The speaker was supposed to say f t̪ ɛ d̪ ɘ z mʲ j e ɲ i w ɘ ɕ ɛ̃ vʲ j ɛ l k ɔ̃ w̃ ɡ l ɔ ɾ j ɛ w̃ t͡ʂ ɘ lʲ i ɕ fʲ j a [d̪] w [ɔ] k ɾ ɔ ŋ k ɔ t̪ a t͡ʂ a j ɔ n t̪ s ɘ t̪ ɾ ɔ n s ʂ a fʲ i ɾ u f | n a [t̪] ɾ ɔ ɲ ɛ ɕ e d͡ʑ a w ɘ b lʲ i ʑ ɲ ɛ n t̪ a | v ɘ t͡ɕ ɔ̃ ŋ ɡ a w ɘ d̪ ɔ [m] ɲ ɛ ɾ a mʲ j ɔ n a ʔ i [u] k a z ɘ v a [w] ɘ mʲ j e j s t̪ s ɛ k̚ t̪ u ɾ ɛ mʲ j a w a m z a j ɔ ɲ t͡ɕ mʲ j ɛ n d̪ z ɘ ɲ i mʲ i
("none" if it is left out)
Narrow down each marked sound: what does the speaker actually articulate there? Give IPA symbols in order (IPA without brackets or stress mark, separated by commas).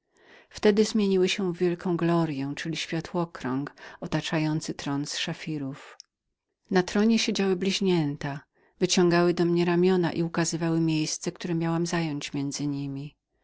t̪, ɔ, t̪, m, u, w